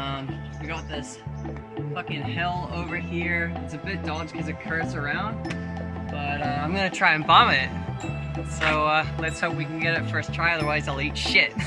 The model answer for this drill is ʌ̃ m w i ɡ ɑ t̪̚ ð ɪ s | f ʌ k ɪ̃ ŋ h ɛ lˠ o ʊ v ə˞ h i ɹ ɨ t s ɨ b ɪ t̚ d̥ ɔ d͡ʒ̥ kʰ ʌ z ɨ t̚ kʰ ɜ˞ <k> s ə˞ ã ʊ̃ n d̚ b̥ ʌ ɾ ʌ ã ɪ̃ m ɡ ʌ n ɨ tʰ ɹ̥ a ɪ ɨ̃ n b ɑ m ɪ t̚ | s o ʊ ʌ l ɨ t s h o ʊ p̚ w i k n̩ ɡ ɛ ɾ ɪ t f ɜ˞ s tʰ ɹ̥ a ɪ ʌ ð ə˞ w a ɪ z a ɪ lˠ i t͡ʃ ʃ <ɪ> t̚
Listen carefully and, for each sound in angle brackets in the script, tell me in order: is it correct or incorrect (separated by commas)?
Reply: incorrect, correct